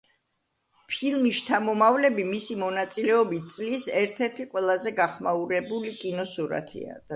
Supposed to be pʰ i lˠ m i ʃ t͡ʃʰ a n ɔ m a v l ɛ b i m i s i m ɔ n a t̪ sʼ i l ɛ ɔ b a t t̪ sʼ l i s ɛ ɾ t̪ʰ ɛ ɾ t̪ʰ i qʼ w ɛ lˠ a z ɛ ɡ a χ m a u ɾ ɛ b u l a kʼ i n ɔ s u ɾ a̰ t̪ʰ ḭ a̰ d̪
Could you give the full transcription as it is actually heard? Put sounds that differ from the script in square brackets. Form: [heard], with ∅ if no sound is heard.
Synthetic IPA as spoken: pʰ i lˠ m i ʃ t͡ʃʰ a [m] ɔ m a v l ɛ b i m i s i m ɔ n a t̪ sʼ i l ɛ ɔ b [i] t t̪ sʼ l i s ɛ ɾ t̪ʰ ɛ ɾ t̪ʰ i qʼ w ɛ lˠ a z ɛ ɡ a χ m a u ɾ ɛ b u l [i] kʼ i n ɔ s u ɾ a̰ t̪ʰ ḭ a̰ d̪